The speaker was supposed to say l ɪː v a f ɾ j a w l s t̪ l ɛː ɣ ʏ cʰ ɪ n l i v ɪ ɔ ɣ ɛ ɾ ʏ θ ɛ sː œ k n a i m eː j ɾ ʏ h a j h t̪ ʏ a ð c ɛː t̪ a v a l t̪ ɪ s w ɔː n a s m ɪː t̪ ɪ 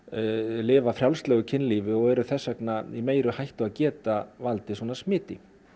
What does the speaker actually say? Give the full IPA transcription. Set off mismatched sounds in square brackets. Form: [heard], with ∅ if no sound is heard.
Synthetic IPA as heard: l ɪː v a f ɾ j a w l s t̪ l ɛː ɣ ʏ cʰ ɪ n l i v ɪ ɔ ɣ ɛ ɾ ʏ θ ɛ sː œ k n a i m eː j ɾ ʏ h a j h t̪ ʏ a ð c ɛː t̪ a v a l t̪ ɪ s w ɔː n a s m ɪː t̪ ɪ